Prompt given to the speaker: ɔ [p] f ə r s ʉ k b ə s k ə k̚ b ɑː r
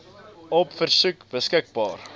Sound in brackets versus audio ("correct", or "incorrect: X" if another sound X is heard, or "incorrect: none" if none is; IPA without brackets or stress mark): correct